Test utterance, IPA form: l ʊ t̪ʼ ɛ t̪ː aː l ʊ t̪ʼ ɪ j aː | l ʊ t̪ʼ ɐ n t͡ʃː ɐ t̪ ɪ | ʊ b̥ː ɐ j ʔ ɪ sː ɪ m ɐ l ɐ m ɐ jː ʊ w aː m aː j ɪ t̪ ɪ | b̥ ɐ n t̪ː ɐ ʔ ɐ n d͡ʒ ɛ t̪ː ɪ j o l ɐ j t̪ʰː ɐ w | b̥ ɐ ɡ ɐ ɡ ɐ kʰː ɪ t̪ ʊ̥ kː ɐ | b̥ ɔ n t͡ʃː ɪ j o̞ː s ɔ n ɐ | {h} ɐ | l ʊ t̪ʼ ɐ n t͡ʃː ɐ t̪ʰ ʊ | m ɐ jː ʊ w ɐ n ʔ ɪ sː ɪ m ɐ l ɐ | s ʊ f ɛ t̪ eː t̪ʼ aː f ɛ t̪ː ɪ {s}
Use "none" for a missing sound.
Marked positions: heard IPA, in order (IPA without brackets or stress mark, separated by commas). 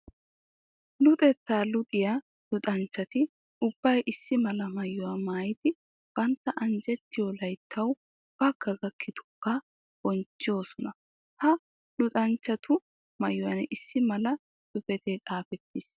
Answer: h, s